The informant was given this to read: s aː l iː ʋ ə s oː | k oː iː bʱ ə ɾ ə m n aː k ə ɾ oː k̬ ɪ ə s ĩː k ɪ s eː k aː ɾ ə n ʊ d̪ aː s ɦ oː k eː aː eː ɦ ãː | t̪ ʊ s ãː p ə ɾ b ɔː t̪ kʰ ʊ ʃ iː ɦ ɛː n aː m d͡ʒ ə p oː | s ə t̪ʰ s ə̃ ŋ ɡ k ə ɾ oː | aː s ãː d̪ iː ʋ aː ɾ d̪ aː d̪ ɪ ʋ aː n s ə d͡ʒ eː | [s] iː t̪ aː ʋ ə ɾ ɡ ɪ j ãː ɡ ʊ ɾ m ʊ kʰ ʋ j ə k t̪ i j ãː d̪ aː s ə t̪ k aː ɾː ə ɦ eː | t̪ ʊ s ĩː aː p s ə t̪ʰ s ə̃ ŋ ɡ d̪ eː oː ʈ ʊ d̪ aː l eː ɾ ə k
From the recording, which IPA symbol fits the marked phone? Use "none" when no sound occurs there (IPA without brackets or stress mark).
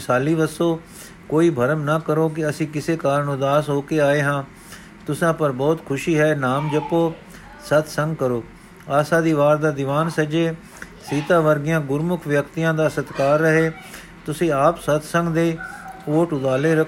s